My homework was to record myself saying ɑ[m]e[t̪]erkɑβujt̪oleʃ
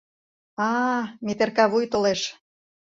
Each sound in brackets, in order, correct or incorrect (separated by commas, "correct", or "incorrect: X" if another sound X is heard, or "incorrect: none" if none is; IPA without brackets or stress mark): correct, correct